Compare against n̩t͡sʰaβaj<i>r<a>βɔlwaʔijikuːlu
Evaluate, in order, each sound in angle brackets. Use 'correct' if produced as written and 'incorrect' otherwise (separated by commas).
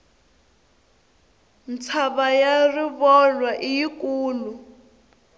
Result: incorrect, incorrect